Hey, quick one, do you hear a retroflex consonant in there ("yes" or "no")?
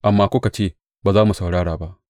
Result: yes